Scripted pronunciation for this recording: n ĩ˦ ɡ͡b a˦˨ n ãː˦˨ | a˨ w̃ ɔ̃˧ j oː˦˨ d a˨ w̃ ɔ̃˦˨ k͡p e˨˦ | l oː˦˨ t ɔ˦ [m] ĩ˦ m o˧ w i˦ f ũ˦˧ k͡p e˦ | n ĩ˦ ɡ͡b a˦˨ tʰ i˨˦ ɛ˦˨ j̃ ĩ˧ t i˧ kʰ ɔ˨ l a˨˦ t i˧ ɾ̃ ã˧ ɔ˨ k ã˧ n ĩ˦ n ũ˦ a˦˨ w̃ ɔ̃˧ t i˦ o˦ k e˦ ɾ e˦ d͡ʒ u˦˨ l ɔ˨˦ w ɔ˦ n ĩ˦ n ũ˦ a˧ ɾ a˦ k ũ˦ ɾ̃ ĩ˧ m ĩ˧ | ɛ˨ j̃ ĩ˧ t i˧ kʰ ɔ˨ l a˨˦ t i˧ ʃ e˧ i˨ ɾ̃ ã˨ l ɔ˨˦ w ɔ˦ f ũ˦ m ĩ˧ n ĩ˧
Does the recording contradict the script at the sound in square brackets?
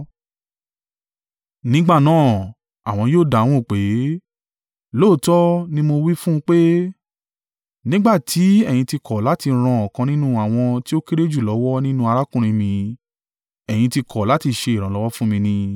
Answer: yes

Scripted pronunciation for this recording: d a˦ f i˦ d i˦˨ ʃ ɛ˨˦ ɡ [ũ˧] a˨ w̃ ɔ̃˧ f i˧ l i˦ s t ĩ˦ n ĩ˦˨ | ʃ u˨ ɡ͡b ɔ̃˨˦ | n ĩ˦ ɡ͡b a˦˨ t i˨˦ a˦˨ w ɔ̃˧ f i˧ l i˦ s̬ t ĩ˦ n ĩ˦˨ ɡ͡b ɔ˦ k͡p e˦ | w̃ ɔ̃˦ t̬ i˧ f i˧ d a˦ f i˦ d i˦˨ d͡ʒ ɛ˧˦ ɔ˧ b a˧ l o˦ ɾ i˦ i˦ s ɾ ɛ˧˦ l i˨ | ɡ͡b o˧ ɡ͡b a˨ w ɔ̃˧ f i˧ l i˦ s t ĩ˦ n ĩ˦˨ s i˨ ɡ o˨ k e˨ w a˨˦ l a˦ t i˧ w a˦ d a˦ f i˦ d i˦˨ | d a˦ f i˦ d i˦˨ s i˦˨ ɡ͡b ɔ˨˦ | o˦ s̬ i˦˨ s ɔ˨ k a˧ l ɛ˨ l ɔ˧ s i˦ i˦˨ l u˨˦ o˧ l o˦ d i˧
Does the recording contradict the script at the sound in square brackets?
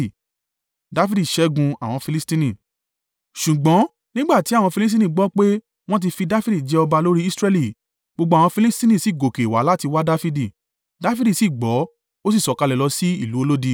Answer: no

